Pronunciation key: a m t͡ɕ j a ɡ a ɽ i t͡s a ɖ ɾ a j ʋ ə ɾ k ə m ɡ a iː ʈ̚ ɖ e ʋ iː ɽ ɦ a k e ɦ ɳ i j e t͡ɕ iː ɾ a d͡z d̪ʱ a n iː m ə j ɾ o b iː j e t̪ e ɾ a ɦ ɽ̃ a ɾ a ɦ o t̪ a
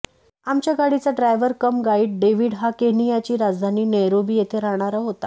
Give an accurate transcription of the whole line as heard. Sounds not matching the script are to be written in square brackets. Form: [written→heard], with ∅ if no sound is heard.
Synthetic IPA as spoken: a m t͡ɕ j a ɡ a ɽ i t͡s a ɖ ɾ a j ʋ ə ɾ k ə m ɡ a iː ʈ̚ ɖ e ʋ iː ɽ ɦ a k e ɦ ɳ i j [e→a] t͡ɕ iː ɾ a d͡z d̪ʱ a n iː [m→n] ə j ɾ o b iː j e [t̪→t̪ʰ] e ɾ a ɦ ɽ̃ a ɾ a ɦ o t̪ a

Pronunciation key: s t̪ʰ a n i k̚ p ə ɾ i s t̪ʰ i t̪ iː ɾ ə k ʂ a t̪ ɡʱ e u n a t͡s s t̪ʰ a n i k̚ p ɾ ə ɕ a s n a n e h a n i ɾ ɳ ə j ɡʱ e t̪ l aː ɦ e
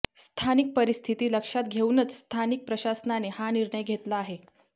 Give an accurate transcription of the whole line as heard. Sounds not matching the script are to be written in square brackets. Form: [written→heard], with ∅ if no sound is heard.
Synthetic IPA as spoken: s t̪ʰ a n i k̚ p ə ɾ i s t̪ʰ i t̪ iː [ɾ→l] ə k ʂ a t̪ ɡʱ e u n [a→ə] t͡s s t̪ʰ a n i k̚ p ɾ ə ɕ a s n a n e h a n i ɾ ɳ ə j ɡʱ e t̪ l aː ɦ e

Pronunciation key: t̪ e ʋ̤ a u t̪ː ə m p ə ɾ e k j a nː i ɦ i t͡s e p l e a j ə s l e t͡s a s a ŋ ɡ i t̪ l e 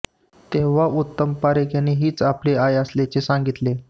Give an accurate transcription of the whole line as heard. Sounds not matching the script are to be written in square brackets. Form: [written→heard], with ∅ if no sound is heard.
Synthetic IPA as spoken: t̪ e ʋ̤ a u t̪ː ə m p [ə→a] ɾ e k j a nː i ɦ [i→iː] t͡s [e→a] p l e a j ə s l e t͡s [a→e] s a ŋ ɡ i t̪ l e

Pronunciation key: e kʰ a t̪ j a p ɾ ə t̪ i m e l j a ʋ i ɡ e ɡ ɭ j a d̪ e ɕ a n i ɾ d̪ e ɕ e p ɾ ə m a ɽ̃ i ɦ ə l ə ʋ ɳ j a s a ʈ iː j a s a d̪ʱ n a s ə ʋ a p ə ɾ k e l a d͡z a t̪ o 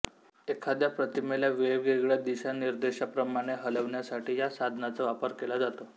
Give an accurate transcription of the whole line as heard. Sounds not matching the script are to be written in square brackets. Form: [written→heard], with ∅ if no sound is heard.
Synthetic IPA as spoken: e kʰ a [t̪→d̪] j a p ɾ ə t̪ i m e l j a ʋ [i→e] ɡ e ɡ ɭ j a d̪ [e→i] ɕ a n i ɾ d̪ e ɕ [e→a] p ɾ ə m a ɽ̃ [i→e] ɦ ə l ə ʋ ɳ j a s a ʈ iː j a s a d̪ʱ n a [s→t͡s] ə ʋ a p ə ɾ k e l a d͡z a t̪ o

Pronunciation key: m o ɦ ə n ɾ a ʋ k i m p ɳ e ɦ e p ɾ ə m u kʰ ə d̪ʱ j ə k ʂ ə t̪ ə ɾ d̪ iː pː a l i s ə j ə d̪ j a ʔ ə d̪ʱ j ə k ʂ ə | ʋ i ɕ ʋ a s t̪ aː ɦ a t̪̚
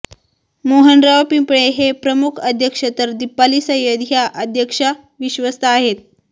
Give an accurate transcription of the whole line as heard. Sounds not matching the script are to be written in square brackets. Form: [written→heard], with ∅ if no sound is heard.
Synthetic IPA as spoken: m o ɦ ə n ɾ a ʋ [k→p] i m p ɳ e ɦ e p ɾ ə m u kʰ ə d̪ʱ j ə k ʂ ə t̪ ə ɾ d̪ [iː→i] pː a l i s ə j ə d̪ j a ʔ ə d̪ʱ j ə k ʂ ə | ʋ i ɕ ʋ [a→ə] s t̪ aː ɦ [a→e] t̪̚

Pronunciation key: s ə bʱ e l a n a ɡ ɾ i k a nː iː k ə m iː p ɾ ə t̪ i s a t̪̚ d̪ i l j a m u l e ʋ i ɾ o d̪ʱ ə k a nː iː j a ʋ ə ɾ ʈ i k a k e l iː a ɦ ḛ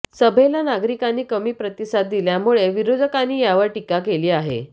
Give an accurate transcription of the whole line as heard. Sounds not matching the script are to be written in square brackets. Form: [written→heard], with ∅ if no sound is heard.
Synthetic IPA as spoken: s ə bʱ e l a n a ɡ ɾ i k a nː iː k ə m iː p ɾ ə t̪ i s a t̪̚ d̪ i l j a m u [l→ɭ] e ʋ i ɾ o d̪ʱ ə k a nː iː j a ʋ ə ɾ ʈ i k a k e l iː a ɦ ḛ

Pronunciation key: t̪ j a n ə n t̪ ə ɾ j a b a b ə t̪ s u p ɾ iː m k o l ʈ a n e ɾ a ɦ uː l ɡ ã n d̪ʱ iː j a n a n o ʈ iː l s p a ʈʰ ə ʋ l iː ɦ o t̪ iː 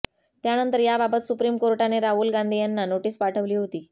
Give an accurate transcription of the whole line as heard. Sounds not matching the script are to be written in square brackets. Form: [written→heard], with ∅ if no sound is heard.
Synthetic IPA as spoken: t̪ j a n ə n t̪ ə ɾ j a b a b ə t̪ s u p ɾ iː m k o [l→ɾ] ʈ a n e ɾ a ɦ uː l ɡ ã n d̪ʱ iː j a [n→nː] a n o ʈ iː [l→∅] s p a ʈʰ ə ʋ l iː ɦ o t̪ iː

